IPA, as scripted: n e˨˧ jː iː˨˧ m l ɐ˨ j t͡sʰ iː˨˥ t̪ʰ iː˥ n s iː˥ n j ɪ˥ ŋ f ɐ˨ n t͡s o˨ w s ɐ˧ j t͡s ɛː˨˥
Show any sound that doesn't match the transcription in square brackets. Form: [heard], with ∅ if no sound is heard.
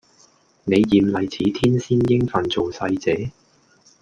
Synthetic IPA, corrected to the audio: n e˨˧ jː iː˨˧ m l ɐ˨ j t͡sʰ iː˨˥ t̪ʰ iː˥ n s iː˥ n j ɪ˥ ŋ f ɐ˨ n t͡s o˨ w s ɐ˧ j t͡s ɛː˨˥